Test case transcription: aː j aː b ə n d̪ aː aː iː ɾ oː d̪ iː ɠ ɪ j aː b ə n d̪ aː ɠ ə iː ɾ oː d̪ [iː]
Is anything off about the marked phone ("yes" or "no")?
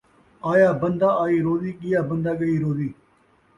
no